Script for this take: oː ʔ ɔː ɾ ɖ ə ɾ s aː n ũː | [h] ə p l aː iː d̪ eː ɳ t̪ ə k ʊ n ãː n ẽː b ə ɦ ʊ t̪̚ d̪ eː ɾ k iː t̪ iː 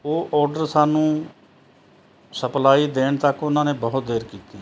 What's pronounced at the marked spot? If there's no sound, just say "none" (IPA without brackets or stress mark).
s